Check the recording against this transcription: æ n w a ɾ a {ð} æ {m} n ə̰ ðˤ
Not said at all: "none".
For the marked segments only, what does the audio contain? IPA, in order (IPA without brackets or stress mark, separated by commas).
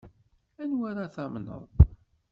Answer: θ, m